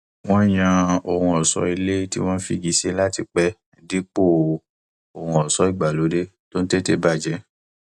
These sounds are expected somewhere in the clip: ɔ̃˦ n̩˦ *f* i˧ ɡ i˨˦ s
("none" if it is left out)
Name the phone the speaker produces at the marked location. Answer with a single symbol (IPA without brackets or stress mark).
f